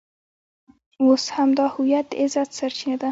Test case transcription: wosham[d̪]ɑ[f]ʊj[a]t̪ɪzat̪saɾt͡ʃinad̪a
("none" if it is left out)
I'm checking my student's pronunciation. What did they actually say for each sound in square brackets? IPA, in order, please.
d̪, h, a

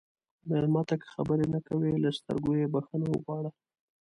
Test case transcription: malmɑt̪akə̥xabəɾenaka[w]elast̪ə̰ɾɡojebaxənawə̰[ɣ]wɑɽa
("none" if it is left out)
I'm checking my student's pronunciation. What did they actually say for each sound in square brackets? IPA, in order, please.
w, ɣ

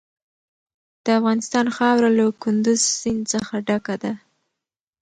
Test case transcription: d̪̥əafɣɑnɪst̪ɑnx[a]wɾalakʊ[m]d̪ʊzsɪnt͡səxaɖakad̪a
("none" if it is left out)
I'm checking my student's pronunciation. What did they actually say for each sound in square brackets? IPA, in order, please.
ɑ, n

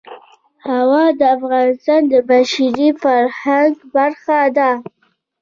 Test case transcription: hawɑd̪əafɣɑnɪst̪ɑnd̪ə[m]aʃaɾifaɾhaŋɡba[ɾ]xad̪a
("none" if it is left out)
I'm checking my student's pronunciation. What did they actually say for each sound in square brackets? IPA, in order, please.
b, ɾ

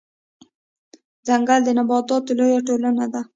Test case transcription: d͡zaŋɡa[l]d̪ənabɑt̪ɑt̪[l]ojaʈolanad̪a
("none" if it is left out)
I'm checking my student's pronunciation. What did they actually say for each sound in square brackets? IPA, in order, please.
l, l

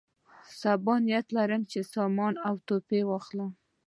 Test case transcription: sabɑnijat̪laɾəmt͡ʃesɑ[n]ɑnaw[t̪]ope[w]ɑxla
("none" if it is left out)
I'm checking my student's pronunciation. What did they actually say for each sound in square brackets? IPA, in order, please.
m, t̪, w

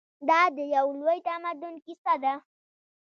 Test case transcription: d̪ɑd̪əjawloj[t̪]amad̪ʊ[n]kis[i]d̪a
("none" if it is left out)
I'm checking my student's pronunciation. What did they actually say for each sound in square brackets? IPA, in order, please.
t̪, n, a

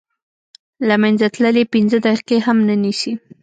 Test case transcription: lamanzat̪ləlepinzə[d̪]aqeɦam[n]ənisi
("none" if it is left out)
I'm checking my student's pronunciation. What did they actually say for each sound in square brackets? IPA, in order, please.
d̪, n

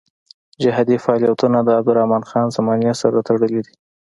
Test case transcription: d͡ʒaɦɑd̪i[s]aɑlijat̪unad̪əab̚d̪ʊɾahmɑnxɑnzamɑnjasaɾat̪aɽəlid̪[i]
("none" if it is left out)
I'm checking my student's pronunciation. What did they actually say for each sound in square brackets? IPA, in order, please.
f, i

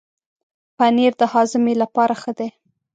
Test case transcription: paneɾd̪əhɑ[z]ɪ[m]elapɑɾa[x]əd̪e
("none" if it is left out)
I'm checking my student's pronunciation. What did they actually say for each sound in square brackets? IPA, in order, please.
z, m, x

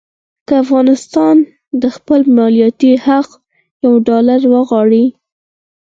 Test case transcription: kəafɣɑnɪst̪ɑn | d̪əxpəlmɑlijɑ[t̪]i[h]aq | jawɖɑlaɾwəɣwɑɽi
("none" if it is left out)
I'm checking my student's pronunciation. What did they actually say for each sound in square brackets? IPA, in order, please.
t̪, h

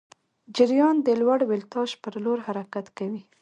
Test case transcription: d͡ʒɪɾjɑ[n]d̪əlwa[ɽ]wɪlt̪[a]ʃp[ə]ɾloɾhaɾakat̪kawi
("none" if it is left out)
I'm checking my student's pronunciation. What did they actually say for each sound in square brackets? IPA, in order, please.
n, ɽ, ɑ, ə

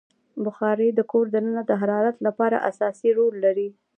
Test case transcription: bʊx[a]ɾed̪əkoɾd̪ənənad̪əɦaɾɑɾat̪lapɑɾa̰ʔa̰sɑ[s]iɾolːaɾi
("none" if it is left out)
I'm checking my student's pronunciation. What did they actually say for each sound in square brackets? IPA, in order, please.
ɑ, s

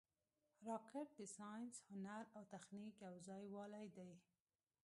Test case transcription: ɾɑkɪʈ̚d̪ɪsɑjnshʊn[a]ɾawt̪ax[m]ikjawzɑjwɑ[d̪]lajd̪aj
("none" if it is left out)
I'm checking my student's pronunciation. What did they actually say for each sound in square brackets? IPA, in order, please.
a, n, none

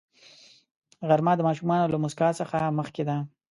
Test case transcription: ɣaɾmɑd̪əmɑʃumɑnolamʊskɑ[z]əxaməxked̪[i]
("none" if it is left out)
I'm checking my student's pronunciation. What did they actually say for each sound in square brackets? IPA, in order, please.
s, a

